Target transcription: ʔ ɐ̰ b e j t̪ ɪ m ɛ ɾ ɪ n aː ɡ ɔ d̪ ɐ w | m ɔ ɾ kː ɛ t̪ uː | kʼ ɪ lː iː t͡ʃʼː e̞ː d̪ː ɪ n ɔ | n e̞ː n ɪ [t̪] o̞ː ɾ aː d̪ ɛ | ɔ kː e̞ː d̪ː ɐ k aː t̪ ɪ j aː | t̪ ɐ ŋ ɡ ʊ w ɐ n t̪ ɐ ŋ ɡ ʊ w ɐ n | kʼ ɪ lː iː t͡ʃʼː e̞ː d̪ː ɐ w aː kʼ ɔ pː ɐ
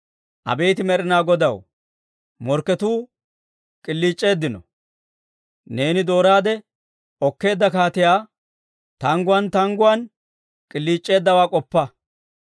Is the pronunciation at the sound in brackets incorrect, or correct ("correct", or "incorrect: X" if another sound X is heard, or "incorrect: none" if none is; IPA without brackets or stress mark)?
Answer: incorrect: d̪